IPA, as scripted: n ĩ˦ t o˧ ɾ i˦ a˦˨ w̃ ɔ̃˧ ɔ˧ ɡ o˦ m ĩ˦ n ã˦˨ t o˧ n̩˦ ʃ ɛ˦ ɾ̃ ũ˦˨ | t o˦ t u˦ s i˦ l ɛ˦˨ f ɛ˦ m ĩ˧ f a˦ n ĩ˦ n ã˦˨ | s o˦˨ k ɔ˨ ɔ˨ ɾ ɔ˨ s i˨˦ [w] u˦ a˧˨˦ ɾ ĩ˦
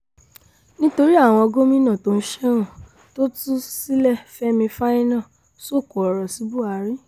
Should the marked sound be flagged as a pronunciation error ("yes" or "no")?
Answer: yes